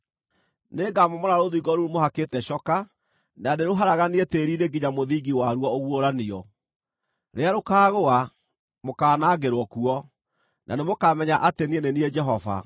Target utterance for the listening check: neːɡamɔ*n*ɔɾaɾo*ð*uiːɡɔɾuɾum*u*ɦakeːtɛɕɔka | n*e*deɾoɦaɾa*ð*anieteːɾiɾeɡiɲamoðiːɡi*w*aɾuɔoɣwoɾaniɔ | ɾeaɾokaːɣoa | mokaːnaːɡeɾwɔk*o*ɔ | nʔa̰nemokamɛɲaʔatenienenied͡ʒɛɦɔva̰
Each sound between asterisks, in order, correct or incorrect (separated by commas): incorrect, correct, incorrect, incorrect, incorrect, correct, incorrect